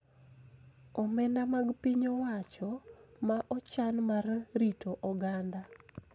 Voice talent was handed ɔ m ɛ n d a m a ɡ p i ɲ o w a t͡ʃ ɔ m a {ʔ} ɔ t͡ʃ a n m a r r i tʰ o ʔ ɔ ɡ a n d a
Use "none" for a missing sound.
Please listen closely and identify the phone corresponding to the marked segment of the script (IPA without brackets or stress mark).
ʔ